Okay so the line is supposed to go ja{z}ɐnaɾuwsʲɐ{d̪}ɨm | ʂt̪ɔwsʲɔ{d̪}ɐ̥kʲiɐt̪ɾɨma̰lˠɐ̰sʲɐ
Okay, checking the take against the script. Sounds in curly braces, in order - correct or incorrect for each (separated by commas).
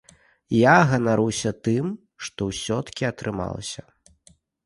incorrect, incorrect, incorrect